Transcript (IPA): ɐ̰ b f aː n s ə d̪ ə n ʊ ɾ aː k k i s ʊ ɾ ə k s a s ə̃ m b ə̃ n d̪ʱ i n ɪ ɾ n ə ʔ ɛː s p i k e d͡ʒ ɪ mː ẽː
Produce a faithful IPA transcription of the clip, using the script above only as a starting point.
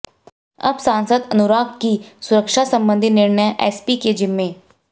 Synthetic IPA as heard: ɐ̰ b s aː n s ə d̪ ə n ʊ ɾ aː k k i s ʊ ɾ ə k ʃ a s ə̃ m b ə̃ n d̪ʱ i n ɪ ɾ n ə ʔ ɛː s p i k e d͡ʒ ɪ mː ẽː